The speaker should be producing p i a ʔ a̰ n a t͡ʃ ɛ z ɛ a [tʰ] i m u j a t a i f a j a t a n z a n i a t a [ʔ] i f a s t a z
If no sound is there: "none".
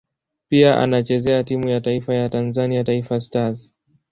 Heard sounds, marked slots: t, none

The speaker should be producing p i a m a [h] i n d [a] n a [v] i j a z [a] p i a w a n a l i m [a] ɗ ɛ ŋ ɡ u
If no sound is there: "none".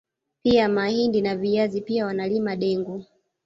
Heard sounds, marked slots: h, i, v, i, a

